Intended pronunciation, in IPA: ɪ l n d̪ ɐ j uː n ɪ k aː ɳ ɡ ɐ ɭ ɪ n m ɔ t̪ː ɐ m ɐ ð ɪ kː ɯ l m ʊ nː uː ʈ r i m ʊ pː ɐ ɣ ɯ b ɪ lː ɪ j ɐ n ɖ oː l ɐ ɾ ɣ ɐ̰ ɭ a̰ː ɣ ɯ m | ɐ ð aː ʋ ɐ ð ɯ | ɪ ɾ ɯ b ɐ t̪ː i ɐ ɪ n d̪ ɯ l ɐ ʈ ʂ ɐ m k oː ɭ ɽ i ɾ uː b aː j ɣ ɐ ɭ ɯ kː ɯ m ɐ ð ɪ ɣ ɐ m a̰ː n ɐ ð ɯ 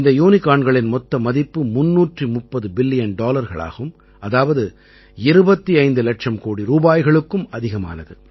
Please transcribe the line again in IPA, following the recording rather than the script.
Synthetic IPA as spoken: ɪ n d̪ ɐ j uː n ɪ k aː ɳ ɡ ɐ ɭ ɪ n m ɔ t̪ː ɐ m ɐ ð ɪ pː ɯ m ʊ nː uː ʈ r i m ʊ pː ɐ ð ɯ b ɪ lː ɪ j ɐ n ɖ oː l ɐ ɾ ɣ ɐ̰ ɭ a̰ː ɣ ɯ m | ɐ ð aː ʋ ɐ ð ɯ | ɪ ɾ ɯ b ɐ t̪ː i ɐ ɪ n d̪ ɯ l ɐ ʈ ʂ ɐ m k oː ɽ i ɾ uː b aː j ɣ ɐ ɭ ɯ kː ɯ m ɐ ð ɪ ɣ ɐ m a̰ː n ɐ ð ɯ